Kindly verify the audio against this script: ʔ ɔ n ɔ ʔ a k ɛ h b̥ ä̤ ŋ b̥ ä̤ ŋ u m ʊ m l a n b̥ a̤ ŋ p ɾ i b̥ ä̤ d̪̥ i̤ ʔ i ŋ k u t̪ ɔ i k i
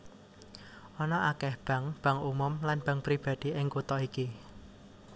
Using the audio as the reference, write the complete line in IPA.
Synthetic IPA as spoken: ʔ ɔ n ɔ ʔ a k ɛ h b̥ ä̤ ŋ b̥ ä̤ ŋ u m ʊ m l a n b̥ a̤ ŋ p ɾ i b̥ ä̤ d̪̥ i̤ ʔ ɪ ŋ k u t̪ ɔ i k i